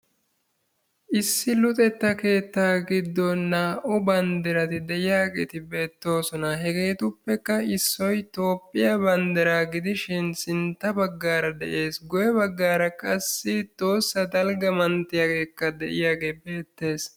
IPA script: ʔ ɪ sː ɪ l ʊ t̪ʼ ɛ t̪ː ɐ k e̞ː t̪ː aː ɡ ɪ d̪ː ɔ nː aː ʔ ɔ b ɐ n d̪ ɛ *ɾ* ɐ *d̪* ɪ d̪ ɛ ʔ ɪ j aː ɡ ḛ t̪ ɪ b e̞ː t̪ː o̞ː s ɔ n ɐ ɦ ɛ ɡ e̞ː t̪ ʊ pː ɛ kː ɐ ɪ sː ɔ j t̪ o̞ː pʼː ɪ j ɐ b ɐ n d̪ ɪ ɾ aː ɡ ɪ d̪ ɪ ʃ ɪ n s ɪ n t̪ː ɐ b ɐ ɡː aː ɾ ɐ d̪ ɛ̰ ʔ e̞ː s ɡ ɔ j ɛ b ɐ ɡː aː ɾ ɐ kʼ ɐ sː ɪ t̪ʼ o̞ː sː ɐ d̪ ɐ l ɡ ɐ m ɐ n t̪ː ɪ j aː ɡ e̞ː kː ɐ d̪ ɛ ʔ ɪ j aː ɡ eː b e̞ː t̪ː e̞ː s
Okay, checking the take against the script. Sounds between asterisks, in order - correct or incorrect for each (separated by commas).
correct, incorrect